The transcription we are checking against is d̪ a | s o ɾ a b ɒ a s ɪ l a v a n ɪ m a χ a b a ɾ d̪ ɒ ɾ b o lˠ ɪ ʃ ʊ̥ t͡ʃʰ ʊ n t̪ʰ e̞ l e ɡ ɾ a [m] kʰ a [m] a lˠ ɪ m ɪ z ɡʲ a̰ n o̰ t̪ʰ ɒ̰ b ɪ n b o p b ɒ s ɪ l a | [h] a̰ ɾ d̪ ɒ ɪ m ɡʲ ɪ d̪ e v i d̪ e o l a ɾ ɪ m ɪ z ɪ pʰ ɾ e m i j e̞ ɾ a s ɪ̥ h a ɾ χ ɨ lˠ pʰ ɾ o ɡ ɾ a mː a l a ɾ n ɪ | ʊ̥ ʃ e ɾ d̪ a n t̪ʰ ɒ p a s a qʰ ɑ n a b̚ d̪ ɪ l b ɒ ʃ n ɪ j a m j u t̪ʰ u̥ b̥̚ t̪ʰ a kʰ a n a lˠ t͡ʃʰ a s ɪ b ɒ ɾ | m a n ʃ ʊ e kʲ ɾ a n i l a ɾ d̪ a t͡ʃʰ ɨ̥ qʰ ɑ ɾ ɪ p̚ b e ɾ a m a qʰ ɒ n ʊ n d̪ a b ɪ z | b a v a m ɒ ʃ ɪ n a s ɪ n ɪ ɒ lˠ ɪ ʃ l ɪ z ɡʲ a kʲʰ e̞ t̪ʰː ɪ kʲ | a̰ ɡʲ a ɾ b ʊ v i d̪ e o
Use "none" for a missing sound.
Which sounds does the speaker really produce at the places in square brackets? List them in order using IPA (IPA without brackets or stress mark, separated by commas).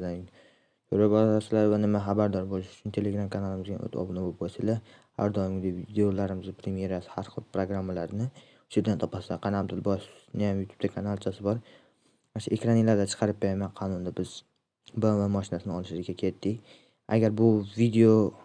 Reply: m, n, h